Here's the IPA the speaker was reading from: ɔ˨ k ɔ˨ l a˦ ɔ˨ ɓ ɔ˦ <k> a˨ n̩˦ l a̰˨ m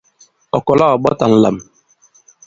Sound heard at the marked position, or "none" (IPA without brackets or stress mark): t